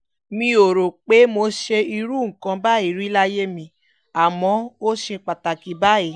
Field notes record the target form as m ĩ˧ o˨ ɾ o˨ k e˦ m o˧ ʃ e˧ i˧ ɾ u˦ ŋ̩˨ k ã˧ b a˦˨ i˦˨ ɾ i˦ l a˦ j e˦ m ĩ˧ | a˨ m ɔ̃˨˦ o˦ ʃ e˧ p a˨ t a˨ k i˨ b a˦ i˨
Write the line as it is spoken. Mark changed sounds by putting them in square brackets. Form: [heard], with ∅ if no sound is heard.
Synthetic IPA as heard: m ĩ˧ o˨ ɾ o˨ [k͡p] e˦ m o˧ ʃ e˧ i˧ ɾ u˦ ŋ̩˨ k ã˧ b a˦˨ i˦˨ ɾ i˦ l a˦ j e˦ m ĩ˧ | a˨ m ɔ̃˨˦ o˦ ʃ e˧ [k͡p] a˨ t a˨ k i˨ b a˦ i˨